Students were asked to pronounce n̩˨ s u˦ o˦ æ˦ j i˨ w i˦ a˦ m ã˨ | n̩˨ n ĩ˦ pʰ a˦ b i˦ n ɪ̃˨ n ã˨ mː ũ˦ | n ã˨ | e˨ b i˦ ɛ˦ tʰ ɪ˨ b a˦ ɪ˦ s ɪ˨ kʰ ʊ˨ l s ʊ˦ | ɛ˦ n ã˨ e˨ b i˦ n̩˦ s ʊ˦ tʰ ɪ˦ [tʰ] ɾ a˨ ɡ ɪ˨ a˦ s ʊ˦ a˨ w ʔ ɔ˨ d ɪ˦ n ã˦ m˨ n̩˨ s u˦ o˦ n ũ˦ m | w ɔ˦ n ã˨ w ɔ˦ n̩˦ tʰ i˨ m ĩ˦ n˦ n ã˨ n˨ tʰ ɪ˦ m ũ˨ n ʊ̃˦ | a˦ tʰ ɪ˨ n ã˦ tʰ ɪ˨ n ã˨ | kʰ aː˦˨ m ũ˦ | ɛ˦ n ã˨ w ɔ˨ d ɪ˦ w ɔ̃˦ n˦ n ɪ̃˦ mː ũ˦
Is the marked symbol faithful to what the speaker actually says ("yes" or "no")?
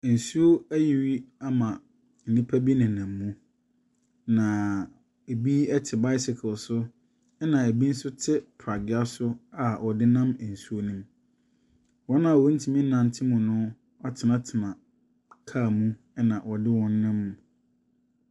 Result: no